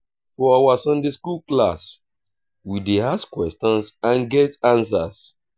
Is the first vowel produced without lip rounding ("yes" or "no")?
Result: no